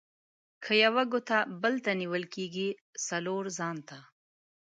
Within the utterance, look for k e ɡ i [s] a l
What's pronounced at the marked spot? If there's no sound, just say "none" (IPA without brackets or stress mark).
s